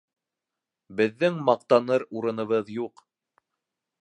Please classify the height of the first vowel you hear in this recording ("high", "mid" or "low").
mid